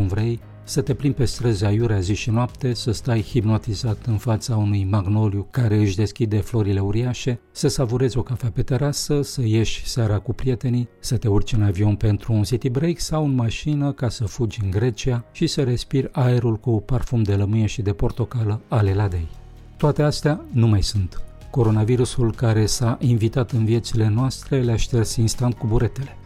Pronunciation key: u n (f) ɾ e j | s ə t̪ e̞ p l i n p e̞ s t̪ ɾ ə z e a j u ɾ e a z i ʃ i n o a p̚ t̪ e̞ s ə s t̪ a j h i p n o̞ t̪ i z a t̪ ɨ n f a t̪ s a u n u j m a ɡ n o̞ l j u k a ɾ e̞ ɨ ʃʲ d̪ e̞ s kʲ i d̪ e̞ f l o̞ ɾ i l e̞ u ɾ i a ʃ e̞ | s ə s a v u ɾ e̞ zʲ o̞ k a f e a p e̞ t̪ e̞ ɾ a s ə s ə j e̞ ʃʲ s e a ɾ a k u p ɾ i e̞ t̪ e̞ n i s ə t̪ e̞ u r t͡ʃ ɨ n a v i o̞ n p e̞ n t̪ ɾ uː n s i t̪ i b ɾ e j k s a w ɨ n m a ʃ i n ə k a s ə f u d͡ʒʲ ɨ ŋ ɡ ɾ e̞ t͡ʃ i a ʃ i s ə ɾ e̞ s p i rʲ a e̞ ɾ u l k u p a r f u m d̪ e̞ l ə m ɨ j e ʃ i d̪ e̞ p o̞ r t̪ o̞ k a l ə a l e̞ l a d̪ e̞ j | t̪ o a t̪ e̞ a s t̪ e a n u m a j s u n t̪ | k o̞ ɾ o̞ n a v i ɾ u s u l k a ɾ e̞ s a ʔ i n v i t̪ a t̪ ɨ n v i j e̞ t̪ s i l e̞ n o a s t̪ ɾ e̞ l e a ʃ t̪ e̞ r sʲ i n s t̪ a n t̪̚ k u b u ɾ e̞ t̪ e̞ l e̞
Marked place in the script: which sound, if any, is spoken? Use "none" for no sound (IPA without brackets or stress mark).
v